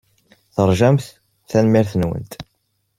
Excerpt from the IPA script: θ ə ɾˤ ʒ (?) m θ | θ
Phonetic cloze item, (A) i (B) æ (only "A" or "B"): B